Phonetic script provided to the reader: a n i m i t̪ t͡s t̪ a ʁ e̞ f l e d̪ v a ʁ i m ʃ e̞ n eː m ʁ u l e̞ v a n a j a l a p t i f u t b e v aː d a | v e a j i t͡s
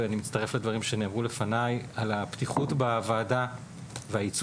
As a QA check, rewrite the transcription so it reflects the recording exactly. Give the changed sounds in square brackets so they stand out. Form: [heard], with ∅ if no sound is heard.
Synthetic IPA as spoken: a n i m i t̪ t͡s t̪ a ʁ e̞ f l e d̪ v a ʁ i m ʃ e̞ n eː m ʁ u l e̞ [f] a n a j a l a p t i [χ] u t b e v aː d a | v e a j i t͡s